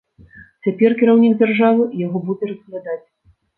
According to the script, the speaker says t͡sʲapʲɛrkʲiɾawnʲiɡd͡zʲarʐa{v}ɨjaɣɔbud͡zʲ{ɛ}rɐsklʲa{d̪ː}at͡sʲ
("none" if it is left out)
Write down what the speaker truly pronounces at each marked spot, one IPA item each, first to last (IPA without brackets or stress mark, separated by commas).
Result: v, ɛ, d̪